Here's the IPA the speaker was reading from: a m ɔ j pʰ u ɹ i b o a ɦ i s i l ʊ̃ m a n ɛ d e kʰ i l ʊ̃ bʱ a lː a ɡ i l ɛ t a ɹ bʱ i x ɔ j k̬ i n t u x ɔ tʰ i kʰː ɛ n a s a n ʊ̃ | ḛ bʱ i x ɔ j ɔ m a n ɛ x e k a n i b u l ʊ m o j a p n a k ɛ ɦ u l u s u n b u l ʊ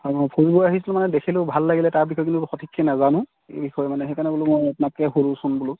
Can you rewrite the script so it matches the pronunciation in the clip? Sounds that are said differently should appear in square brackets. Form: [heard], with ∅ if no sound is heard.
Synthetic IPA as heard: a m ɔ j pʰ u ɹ i b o a ɦ i s i l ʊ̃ m a n ɛ d e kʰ i l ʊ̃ bʱ a lː a ɡ i l ɛ t a ɹ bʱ i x ɔ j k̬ i n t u x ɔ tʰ i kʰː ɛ n a [z] a n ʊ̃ | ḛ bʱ i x ɔ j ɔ m a n ɛ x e k a n [ɛ] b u l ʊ m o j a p n a k ɛ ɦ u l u s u n b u l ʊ